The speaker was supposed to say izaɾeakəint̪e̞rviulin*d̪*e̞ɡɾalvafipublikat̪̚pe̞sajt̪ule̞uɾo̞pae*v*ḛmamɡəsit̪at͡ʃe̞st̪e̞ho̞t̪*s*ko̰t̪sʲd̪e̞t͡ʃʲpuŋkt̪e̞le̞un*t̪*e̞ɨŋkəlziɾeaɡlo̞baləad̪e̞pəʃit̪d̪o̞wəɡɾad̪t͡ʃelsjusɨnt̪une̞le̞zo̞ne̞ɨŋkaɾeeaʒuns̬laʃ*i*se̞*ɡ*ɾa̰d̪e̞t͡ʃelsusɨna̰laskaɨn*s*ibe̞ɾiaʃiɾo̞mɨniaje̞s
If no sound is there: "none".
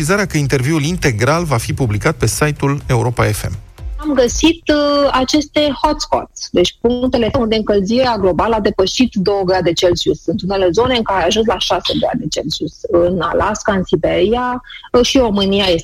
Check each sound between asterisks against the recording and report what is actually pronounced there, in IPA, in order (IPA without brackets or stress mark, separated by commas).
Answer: t̪, f, s, d̪, a, ɡ, s